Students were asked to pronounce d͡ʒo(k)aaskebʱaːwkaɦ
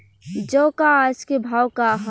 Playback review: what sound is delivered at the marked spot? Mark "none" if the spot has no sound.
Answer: k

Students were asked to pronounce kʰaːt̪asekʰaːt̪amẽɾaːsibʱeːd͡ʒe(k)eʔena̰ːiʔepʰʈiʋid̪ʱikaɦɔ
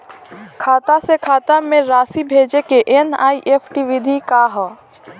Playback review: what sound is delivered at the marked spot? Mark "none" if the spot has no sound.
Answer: k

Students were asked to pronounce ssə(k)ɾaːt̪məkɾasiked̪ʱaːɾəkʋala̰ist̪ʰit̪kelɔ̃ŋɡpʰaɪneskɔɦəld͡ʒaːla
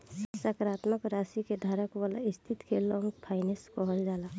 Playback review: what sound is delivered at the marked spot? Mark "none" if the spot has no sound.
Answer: k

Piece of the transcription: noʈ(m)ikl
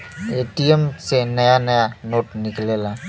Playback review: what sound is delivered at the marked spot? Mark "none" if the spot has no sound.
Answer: n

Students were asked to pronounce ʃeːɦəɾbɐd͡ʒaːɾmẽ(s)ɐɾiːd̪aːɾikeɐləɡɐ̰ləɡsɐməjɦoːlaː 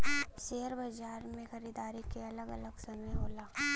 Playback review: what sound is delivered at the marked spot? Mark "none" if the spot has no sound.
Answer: x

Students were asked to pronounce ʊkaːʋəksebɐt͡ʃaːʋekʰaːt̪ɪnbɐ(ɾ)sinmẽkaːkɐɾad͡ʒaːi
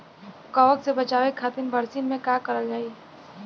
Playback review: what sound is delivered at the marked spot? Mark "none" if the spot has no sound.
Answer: ɾ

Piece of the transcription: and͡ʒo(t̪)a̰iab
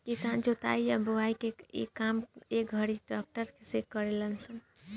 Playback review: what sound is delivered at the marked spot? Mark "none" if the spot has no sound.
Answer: t̪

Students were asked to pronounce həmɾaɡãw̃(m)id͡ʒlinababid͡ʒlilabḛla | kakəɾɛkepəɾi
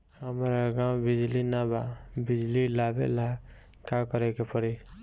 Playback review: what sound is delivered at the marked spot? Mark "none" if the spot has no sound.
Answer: b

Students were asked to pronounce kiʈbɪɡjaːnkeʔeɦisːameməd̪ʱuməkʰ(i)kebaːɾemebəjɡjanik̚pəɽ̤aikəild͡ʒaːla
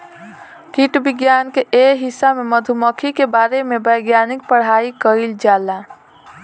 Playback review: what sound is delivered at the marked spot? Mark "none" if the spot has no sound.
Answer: i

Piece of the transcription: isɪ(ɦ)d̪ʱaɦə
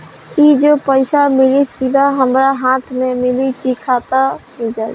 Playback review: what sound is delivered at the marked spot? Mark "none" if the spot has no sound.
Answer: none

